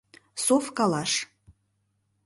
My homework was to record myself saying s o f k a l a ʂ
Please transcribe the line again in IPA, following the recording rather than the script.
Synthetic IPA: s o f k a l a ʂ